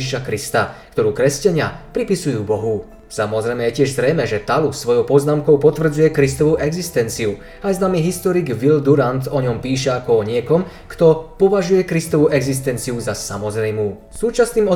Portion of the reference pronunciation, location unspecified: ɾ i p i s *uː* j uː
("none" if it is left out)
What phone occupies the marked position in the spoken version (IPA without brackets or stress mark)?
u